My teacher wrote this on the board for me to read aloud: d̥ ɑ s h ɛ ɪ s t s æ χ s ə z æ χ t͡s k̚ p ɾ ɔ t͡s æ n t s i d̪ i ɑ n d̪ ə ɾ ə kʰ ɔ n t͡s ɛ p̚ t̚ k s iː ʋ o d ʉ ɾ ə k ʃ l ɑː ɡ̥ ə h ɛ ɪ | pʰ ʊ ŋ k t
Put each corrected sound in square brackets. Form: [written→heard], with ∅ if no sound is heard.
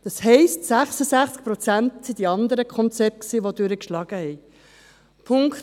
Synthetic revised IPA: d̥ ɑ s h ɛ ɪ s t s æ χ s ə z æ χ t͡s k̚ p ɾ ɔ t͡s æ n t s i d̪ i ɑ n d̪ ə ɾ ə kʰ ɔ n t͡s ɛ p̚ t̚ k s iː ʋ o d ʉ ɾ ə k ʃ l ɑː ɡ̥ ə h ɛ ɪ | pʰ ʊ ŋ k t